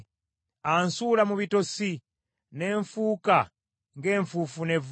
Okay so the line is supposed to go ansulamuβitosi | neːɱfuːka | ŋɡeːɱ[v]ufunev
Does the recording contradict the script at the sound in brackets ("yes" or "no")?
yes